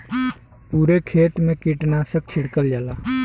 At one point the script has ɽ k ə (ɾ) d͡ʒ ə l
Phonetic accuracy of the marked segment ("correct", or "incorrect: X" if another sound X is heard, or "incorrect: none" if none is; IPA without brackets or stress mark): incorrect: l